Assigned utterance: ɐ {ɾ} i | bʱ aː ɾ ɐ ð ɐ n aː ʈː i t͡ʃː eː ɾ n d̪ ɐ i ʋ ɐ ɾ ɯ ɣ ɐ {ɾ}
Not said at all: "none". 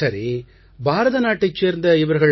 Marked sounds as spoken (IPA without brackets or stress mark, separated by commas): ɾ, ɭ